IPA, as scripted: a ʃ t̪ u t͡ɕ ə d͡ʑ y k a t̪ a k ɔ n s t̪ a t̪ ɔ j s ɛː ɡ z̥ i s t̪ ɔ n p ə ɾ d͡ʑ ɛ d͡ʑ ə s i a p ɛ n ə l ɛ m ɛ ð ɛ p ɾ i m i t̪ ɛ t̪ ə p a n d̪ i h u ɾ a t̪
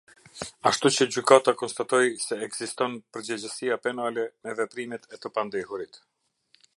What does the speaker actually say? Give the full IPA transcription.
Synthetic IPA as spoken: a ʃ t̪ u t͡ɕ ə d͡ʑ y k a t̪ a k ɔ n s t̪ a t̪ ɔ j s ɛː ɡ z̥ i s t̪ ɔ n p ə ɾ d͡ʑ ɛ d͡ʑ ə s i a p ɛ n a l ɛ m ɛ v ɛ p ɾ i m ɛ t̪ ɛ t̪ ə p a n d̪ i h u ɾ i t̪